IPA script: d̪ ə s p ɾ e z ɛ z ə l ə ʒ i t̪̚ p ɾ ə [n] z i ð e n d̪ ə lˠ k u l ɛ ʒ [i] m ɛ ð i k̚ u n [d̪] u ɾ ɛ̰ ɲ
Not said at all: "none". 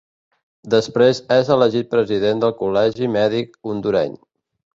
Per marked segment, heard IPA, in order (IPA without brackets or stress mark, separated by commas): none, i, d̪